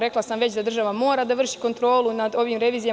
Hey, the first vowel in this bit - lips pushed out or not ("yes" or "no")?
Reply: no